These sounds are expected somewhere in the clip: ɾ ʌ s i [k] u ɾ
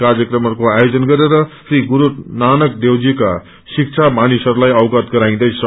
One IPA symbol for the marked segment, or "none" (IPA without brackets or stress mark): ɡ